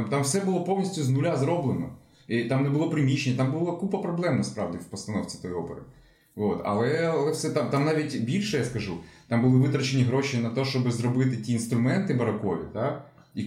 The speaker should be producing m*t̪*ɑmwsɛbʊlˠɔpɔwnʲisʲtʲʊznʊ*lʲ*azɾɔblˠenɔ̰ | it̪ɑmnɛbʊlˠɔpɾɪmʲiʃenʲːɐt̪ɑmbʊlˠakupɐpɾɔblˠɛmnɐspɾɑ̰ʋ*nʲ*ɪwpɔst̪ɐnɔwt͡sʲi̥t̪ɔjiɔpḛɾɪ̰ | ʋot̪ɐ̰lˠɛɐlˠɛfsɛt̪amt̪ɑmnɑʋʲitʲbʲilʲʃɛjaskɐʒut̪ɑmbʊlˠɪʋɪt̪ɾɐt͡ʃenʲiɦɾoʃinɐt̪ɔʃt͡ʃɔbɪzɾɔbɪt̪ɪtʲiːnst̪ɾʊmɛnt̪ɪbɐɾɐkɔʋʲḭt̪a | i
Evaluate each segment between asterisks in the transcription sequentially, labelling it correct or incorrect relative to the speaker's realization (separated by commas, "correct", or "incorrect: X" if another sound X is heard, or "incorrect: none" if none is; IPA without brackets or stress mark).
correct, correct, incorrect: dʲ